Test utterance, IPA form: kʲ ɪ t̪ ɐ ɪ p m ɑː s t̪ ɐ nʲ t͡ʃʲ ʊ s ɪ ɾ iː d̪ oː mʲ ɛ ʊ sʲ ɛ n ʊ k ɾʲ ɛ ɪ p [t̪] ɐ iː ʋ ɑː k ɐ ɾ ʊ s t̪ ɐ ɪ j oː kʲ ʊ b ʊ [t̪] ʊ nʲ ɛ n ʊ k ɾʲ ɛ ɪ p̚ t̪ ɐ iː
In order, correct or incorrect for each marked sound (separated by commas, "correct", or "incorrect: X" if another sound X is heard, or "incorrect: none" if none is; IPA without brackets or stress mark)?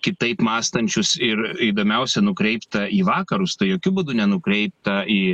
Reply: correct, incorrect: d̪